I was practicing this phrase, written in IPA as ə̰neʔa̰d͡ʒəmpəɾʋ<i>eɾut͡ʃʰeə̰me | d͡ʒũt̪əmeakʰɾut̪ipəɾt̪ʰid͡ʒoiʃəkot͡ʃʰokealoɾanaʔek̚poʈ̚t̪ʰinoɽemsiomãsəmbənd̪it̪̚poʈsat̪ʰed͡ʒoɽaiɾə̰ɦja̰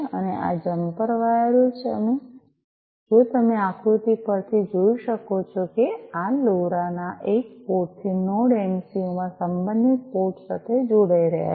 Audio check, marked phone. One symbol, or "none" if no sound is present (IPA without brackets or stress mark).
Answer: a